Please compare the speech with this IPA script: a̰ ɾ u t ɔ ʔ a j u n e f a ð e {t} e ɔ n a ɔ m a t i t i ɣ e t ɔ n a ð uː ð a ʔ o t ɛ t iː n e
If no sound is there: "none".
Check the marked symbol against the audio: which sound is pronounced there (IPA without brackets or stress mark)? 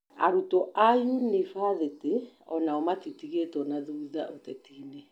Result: t